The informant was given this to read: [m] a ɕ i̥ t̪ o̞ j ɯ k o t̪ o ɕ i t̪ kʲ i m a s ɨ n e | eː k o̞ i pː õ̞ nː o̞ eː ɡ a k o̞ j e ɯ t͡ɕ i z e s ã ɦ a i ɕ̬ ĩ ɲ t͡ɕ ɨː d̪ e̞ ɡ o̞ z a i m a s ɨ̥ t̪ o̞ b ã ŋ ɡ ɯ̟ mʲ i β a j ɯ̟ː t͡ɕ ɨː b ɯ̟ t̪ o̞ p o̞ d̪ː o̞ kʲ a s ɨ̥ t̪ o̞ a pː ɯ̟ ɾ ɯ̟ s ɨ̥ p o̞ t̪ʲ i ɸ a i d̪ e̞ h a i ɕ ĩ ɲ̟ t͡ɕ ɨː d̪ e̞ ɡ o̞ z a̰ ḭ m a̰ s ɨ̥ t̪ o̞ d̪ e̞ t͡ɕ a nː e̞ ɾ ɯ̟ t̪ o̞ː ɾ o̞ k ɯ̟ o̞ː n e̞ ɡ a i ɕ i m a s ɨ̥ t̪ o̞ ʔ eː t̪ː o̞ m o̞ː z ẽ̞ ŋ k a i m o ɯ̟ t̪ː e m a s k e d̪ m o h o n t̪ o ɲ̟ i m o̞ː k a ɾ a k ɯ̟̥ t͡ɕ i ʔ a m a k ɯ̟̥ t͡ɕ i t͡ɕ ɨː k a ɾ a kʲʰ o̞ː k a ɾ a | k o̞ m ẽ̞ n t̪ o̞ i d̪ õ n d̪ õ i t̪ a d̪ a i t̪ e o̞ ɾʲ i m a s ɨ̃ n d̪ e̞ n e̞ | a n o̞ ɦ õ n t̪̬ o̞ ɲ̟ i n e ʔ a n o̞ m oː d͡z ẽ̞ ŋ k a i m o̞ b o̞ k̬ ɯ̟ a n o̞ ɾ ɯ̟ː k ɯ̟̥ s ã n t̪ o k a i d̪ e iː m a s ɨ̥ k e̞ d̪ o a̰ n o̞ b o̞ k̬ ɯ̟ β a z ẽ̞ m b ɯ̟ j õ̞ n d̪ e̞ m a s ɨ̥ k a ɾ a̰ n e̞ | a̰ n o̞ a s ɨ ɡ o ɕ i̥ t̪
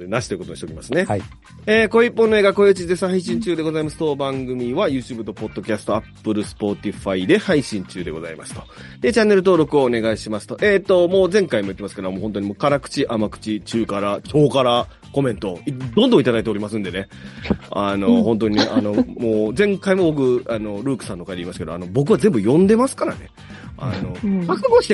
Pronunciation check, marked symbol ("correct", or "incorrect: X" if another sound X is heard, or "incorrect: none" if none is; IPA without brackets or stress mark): incorrect: n